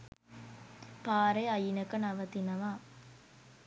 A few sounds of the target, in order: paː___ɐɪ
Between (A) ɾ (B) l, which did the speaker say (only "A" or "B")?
A